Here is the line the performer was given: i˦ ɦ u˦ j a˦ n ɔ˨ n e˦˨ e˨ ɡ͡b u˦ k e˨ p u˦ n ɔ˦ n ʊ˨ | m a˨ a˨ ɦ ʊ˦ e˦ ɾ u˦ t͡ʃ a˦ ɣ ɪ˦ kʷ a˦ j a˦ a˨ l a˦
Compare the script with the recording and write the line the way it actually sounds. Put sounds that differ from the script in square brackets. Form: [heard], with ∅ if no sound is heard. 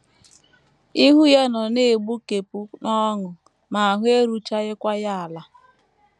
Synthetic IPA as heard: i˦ ɦ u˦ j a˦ n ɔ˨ n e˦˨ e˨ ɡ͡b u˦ k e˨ p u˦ n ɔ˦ [ŋ] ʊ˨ | m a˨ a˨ ɦ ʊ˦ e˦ ɾ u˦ t͡ʃ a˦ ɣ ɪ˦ kʷ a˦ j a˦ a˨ l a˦